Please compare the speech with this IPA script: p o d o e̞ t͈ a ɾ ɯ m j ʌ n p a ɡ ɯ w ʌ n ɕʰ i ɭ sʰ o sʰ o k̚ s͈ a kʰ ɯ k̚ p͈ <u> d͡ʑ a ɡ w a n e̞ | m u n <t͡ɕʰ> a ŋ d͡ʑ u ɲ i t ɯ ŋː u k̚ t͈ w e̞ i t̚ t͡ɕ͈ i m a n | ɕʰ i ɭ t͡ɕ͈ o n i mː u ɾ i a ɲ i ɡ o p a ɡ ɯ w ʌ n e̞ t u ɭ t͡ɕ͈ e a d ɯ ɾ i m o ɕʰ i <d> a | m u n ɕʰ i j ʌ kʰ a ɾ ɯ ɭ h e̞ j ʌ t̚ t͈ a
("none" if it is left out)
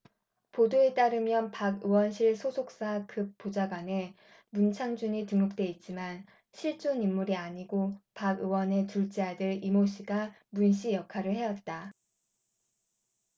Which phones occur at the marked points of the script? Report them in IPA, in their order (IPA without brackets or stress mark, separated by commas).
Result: o, t͡ɕʰ, ɡ